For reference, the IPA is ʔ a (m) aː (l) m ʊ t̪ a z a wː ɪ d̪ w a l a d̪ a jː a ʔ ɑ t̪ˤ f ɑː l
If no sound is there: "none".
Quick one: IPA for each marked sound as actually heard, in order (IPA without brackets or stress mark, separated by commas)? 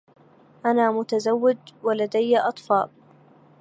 n, none